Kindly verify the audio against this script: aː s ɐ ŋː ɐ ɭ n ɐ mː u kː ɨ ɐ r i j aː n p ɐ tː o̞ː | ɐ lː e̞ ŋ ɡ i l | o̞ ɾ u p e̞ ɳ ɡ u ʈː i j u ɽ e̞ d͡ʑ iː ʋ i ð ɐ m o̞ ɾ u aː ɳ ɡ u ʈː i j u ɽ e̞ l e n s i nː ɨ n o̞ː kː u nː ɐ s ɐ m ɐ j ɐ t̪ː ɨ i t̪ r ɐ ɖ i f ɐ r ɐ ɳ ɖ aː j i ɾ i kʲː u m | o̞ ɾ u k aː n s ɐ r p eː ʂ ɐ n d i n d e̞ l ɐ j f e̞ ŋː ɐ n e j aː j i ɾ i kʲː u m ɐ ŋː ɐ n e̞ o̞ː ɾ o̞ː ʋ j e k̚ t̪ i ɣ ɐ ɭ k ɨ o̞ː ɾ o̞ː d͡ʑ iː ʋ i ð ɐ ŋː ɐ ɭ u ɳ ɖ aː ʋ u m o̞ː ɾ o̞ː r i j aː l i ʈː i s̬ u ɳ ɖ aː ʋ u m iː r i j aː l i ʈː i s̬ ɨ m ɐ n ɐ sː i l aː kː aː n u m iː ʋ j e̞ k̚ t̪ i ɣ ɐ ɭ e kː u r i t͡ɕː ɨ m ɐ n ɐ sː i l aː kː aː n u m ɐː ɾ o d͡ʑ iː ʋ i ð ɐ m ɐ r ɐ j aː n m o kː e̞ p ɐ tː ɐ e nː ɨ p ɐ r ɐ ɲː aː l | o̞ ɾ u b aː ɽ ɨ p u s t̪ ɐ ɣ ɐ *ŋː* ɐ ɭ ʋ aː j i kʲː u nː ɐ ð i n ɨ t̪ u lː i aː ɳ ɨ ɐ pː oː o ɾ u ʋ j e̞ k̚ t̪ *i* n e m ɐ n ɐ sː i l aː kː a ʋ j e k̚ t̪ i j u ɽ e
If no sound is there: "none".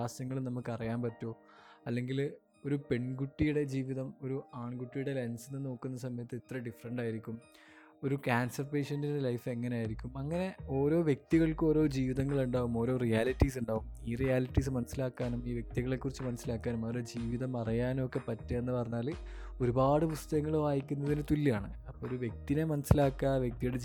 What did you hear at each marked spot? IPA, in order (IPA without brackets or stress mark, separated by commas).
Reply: ŋː, i